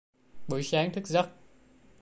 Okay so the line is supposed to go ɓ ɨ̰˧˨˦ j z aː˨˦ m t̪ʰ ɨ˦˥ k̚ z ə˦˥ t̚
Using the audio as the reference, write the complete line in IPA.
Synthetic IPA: ɓ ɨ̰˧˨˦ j s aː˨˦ ŋ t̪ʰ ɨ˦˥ k̚ z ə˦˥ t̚